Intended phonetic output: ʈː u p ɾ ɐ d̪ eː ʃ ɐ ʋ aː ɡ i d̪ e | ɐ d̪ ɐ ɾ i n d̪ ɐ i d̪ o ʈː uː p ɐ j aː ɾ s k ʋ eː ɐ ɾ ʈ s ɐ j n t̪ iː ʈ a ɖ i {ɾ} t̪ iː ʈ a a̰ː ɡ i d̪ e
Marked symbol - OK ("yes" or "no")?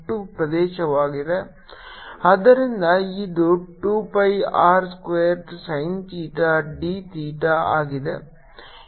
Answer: no